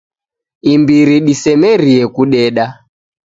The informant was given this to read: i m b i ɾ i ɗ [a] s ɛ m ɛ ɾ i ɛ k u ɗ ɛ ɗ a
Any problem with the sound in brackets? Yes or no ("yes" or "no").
yes